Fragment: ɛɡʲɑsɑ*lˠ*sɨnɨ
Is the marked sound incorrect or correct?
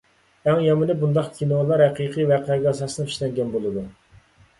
incorrect